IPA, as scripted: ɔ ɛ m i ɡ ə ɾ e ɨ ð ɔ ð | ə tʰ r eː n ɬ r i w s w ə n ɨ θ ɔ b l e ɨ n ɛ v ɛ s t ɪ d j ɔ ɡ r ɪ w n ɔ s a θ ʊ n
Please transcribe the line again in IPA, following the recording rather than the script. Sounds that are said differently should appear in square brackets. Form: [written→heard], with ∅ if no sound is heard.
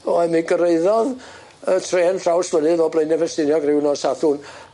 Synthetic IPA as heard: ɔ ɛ m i ɡ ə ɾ e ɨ ð ɔ ð | ə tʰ r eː n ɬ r [i→a] w s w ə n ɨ [θ→ð] ɔ b l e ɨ n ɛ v ɛ s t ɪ [d→n] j ɔ ɡ r ɪ w n ɔ s a θ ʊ n